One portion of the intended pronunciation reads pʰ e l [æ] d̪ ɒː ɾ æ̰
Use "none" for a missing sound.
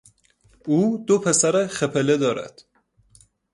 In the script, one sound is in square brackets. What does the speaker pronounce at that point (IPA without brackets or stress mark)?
e